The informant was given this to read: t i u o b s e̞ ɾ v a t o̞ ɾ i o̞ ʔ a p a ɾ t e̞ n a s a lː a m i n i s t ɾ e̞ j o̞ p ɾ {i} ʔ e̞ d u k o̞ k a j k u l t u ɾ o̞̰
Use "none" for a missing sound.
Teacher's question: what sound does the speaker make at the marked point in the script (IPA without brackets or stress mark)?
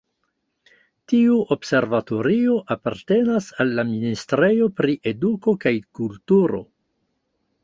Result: i